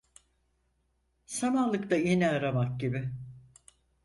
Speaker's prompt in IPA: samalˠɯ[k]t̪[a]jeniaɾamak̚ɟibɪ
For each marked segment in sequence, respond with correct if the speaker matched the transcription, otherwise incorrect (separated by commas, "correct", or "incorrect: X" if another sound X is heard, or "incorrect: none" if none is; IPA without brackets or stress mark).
correct, correct